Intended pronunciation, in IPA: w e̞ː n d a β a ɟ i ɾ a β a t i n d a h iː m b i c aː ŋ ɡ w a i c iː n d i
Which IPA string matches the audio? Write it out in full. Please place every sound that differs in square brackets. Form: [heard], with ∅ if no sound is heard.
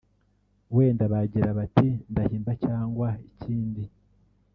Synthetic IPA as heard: w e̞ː n d a β a ɟ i ɾ a β a t i n d a h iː m b [a] c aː ŋ ɡ w a i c iː n d i